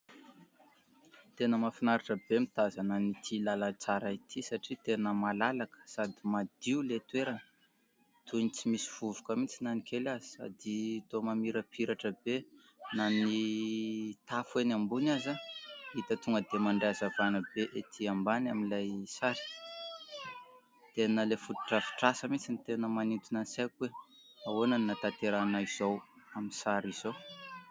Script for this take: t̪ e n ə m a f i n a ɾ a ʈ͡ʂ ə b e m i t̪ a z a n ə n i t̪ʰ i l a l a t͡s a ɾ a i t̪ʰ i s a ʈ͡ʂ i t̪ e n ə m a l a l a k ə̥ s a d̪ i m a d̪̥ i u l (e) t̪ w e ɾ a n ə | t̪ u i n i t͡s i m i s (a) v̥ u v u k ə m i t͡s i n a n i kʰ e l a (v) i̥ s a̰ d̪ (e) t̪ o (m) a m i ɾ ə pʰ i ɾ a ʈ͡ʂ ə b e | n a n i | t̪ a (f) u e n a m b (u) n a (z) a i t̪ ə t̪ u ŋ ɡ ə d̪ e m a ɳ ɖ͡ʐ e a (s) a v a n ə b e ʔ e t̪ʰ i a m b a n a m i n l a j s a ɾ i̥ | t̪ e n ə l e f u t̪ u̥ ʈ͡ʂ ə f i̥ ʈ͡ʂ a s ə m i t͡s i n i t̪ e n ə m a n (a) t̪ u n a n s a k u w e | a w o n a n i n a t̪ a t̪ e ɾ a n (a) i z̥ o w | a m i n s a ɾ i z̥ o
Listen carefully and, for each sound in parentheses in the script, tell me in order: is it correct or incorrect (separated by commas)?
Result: correct, incorrect, incorrect, incorrect, correct, correct, correct, correct, incorrect, incorrect, correct